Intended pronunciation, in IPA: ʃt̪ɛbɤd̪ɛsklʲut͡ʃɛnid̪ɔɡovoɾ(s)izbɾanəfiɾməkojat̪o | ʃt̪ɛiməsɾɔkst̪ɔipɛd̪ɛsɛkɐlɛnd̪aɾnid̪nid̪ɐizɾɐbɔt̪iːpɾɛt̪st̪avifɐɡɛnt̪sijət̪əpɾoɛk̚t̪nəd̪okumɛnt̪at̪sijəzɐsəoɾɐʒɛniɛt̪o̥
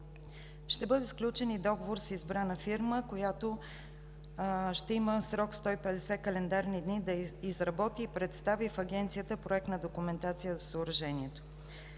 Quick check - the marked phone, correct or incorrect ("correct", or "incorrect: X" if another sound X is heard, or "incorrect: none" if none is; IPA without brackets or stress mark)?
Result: correct